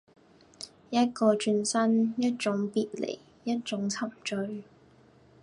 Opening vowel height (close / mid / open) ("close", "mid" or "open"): open